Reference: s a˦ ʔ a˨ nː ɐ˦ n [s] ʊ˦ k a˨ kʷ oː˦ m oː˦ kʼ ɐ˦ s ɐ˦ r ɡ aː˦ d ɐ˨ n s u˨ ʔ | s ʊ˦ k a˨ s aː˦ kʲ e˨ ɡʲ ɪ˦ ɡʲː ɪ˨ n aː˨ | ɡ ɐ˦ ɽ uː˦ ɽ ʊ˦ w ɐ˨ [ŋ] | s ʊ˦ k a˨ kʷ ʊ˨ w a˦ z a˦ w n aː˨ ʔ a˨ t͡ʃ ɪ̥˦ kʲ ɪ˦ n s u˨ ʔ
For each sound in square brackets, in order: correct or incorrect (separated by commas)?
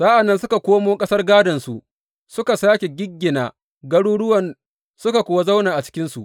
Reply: correct, incorrect